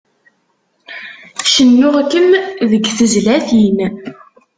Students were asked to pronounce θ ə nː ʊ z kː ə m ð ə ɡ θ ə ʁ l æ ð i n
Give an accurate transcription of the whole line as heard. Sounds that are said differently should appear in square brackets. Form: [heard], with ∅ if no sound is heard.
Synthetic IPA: [ʃ] ə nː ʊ [ʁ] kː ə m ð ə ɡ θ ə [z] l æ [θ] i n